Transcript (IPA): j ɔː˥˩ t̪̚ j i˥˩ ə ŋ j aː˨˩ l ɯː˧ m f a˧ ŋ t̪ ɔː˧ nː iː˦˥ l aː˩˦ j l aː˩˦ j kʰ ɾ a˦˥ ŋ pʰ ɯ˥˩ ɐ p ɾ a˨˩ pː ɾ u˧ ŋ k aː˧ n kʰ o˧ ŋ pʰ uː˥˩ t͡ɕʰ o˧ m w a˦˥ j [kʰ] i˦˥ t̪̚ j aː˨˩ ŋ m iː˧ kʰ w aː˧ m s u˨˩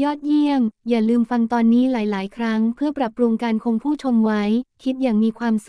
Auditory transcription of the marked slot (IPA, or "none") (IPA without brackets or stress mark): kʰ